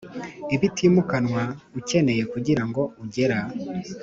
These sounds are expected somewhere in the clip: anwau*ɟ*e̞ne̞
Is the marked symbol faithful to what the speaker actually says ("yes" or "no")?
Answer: no